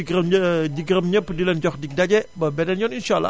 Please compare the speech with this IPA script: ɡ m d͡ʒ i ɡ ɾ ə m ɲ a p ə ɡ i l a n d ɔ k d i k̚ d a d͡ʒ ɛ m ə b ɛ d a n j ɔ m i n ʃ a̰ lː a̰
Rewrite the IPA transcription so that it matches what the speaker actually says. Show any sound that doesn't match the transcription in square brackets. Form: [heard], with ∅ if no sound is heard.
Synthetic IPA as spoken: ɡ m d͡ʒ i ɡ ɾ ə m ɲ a p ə [d] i l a n [d͡ʒ] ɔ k d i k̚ d a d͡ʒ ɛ [b] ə b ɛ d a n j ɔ [n] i n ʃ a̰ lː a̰